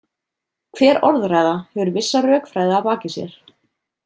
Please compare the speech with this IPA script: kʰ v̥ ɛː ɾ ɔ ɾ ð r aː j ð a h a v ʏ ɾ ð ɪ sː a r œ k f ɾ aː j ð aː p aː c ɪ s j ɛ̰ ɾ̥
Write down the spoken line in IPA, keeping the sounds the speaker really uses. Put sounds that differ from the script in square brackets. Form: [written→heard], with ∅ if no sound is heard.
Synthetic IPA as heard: kʰ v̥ ɛː ɾ ɔ ɾ ð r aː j ð a h [a→ɛ] v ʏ ɾ [ð→v] ɪ sː a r [œ→œː] k f ɾ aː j ð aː p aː c ɪ s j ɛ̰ ɾ̥